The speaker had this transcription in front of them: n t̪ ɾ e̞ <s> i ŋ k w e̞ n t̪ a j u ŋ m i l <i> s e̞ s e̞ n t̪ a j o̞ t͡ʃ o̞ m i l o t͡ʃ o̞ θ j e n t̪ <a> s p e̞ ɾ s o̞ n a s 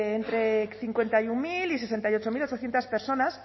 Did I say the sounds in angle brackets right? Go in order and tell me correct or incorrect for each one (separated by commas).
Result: incorrect, correct, correct